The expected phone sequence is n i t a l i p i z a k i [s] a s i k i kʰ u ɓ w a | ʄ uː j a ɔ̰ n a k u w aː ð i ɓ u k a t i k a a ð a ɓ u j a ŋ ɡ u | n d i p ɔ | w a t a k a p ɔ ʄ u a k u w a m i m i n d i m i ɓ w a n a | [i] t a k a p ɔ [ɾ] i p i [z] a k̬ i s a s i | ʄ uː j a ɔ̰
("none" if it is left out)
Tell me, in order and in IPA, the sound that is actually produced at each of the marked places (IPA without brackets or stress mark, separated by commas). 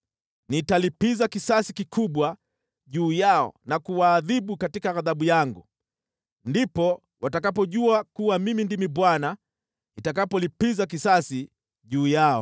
s, i, l, z